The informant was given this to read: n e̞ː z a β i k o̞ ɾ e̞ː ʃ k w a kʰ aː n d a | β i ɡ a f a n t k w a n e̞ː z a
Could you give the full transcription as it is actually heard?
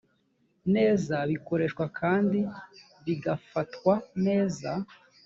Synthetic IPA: n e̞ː z a β i k o̞ ɾ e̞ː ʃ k w a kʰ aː n d i | β i ɡ a f a t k w a n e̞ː z a

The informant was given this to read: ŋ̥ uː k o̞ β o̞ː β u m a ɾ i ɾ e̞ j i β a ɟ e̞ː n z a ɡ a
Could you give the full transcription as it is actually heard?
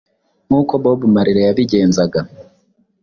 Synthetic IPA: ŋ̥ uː k o̞ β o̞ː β u m a ɾ i ɾ e̞ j a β i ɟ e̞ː n z a ɡ a

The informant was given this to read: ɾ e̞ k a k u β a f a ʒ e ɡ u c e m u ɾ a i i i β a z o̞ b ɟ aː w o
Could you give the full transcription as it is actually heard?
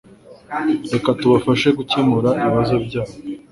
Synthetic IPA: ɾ e̞ k a t u β a f a ʃ e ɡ u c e m u ɾ a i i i β a z o̞ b ɟ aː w o

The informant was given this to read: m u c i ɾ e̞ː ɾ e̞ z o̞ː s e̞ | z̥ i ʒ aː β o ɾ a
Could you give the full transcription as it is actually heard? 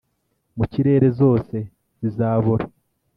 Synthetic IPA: m u c i ɾ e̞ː ɾ e̞ z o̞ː s e̞ | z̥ i z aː β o ɾ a

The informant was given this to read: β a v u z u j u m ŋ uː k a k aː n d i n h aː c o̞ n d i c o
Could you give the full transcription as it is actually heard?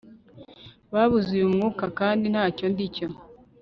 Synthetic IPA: β a β u z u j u m ŋ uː k a k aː n d i n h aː c o̞ n d i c o

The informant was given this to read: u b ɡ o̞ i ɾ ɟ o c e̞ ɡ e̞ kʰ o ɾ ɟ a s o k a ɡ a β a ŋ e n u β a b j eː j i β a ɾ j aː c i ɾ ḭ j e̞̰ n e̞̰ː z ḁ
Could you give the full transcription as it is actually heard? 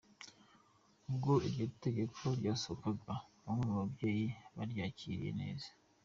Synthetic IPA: u b ɡ o̞ i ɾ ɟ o t e̞ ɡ e̞ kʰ o ɾ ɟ a s o k a ɡ a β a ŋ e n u β a b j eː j i β a ɾ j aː c i ɾ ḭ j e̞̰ n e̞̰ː z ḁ

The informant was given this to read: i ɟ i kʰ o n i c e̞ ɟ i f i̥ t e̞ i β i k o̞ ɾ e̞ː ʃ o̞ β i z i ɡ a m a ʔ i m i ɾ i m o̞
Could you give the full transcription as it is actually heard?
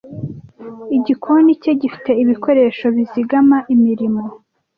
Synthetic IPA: i ɟ i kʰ o n i c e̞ ɟ i f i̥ t e̞ i β i k o̞ ɾ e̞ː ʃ o̞ β i z i ɡ a m a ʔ i m i ɾ i m o̞

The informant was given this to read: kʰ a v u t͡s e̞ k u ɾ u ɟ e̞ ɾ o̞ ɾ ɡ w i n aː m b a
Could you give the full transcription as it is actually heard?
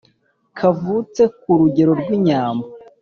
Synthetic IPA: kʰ a v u t͡s e̞ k u ɾ u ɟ e̞ ɾ o̞ ɾ ɡ w i ɲ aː m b a

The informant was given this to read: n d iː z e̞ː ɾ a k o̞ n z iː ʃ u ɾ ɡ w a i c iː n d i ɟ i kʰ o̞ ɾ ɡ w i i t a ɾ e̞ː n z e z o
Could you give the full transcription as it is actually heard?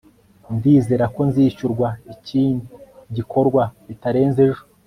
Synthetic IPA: n d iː z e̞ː ɾ a k o̞ n z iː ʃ u ɾ ɡ w a i c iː n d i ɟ i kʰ o̞ ɾ ɡ w a i t a ɾ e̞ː n z e ʒ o

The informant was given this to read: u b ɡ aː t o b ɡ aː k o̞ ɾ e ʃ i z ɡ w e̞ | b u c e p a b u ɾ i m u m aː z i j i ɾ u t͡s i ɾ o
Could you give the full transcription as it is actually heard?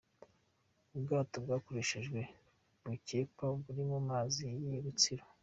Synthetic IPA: u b ɡ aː t o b ɡ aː k o̞ ɾ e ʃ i ʒ ɡ w e̞ | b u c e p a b u ɾ i m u m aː z i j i ɾ u t͡s i ɾ o

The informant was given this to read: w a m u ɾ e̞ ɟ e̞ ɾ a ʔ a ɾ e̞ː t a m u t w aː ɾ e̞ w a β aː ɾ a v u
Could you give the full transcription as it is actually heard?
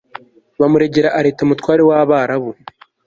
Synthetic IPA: β a m u ɾ e̞ ɟ e̞ ɾ a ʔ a ɾ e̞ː t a m u t w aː ɾ e̞ w a β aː ɾ a β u

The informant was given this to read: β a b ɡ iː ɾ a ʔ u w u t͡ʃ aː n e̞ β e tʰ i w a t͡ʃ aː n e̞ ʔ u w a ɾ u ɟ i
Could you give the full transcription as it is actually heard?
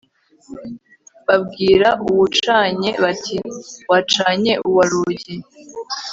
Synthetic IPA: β a b ɡ iː ɾ a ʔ u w u t͡ʃ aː ɲ e̞ β a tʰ i w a t͡ʃ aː ɲ e̞ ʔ u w a ɾ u ɟ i

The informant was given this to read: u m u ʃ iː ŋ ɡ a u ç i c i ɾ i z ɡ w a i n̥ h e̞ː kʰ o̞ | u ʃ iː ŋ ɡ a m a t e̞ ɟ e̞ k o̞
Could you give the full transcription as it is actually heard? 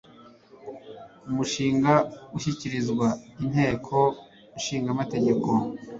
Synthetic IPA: u m u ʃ iː ŋ ɡ a u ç i c i ɾ i z ɡ w a i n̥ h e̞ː kʰ o̞ | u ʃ iː ŋ ɡ a m a t e̞ ɟ e̞ k o̞

